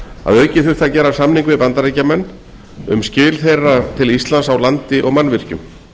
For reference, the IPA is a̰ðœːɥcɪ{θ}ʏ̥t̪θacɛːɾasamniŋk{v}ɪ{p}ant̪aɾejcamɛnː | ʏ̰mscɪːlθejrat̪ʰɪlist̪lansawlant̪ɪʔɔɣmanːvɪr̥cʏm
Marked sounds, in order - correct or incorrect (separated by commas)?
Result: correct, correct, correct